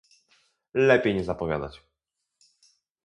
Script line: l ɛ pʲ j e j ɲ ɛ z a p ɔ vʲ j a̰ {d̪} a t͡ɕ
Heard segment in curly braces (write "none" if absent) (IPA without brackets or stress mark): d̪